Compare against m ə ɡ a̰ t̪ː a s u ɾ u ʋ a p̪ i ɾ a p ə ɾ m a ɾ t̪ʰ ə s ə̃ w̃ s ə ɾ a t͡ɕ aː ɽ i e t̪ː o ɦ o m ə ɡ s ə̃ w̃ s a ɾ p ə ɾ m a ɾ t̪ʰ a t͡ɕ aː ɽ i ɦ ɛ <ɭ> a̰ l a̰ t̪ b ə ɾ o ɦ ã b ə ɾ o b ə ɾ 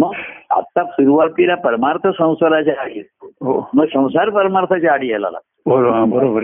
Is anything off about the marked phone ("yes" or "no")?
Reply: yes